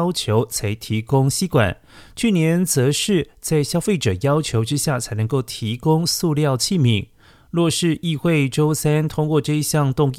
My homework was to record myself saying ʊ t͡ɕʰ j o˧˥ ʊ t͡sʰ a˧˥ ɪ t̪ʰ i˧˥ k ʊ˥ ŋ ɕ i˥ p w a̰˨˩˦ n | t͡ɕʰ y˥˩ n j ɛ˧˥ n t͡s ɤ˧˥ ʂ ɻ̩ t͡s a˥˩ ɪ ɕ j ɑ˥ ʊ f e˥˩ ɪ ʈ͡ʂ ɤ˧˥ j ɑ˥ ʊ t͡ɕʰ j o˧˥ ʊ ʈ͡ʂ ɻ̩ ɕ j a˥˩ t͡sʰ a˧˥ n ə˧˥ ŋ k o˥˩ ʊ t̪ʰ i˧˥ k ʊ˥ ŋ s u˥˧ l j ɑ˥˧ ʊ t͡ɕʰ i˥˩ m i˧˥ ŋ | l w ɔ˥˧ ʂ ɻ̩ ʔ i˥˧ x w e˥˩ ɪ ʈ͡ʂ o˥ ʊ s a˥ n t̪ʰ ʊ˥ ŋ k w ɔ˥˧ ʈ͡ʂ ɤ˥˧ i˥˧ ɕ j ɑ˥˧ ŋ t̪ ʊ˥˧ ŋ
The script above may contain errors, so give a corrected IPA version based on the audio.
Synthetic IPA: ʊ t͡ɕʰ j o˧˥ ʊ t͡sʰ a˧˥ ɪ t̪ʰ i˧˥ k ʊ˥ ŋ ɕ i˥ k w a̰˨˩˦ n | t͡ɕʰ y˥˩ n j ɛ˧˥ n t͡s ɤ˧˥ ʂ ɻ̩ t͡s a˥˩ ɪ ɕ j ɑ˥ ʊ f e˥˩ ɪ ʈ͡ʂ ɤ˨˩ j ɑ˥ ʊ t͡ɕʰ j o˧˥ ʊ ʈ͡ʂ ɻ̩ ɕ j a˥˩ t͡sʰ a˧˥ n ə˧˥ ŋ k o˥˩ ʊ t̪ʰ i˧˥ k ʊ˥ ŋ s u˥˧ l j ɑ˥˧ ʊ t͡ɕʰ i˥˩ m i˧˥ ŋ | l w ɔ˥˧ ʂ ɻ̩ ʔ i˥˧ x w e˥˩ ɪ ʈ͡ʂ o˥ ʊ s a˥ n t̪ʰ ʊ˥ ŋ k w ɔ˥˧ ʈ͡ʂ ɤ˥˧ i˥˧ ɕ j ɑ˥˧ ŋ t̪ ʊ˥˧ ŋ